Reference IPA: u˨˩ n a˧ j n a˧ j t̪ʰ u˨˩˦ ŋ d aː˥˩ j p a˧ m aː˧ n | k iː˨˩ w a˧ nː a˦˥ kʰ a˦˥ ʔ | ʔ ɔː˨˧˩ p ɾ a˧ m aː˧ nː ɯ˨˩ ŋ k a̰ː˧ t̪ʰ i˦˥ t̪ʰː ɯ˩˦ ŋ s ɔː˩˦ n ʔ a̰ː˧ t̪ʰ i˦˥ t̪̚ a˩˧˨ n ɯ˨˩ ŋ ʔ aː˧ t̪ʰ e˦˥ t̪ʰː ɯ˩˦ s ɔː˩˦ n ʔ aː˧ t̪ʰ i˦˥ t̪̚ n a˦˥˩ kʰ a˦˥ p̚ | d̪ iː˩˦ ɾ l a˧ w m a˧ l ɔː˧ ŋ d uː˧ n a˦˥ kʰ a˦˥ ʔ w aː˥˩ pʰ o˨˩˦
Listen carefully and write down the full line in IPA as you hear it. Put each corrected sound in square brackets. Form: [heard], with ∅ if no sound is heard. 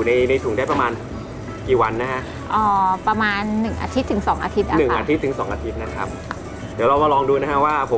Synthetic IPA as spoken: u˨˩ n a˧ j n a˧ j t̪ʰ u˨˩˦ ŋ d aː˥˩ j p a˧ m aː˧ n | k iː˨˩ w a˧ nː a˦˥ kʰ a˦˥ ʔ | ʔ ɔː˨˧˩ p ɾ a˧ m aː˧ nː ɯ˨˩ ŋ [ʔ] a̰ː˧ t̪ʰ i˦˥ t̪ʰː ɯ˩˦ ŋ s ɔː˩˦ [ŋ] ʔ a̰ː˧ t̪ʰ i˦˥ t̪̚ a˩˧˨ n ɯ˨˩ ŋ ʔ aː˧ t̪ʰ [i˦˥] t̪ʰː ɯ˩˦ s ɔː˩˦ [ŋ] ʔ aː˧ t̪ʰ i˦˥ t̪̚ n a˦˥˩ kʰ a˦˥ p̚ | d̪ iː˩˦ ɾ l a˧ w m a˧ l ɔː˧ ŋ d uː˧ n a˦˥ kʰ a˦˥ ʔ w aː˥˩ pʰ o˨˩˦